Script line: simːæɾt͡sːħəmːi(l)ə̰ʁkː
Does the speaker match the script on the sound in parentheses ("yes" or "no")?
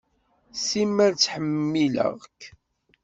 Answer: yes